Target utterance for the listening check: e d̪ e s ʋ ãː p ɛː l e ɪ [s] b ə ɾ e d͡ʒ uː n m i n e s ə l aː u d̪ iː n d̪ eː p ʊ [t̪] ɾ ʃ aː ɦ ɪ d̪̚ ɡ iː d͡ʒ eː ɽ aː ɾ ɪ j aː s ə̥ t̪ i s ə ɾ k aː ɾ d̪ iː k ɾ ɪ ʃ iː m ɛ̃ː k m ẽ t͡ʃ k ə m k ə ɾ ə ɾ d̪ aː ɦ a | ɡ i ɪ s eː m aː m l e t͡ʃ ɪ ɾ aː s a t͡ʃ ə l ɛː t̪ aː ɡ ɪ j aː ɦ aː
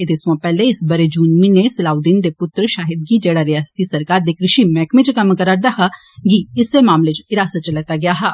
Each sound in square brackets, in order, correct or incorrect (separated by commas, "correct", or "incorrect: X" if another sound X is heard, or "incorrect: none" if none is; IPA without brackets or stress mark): correct, correct